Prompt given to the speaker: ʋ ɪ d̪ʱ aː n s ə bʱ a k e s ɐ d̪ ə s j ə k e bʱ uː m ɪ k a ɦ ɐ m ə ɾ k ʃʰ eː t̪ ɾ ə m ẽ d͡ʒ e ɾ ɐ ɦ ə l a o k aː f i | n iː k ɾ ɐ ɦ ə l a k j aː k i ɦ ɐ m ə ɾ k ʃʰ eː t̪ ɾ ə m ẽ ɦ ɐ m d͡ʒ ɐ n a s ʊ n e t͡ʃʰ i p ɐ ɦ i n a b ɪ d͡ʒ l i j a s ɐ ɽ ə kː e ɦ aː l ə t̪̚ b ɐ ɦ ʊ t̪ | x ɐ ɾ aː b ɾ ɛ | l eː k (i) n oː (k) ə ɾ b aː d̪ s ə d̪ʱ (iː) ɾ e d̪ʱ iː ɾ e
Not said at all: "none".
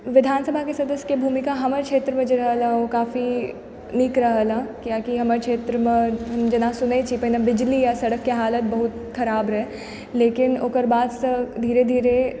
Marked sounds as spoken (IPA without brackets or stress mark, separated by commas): ɪ, k, iː